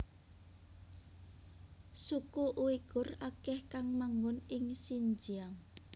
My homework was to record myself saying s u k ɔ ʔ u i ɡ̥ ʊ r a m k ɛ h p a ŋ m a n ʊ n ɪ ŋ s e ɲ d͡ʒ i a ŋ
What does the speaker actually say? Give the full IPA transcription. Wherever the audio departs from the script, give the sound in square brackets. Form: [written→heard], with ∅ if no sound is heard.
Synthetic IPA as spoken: s u k [ɔ→u] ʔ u i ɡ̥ ʊ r a [m→∅] k ɛ h [p→k] a ŋ m a [n→ŋ] ʊ n ɪ ŋ s [e→i] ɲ d͡ʒ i a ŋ